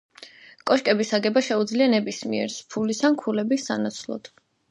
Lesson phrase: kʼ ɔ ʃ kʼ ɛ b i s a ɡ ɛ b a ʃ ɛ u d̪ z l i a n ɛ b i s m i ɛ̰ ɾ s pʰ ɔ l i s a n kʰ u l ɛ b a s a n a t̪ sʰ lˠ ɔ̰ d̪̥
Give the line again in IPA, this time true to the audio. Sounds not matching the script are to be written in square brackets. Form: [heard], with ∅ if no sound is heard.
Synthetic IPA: kʼ ɔ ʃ kʼ ɛ b i s a ɡ ɛ b a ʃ ɛ u d̪ z l i a n ɛ b i s m i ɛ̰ ɾ s pʰ [u] l i s a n kʰ u l ɛ b [i] s a n a t̪ sʰ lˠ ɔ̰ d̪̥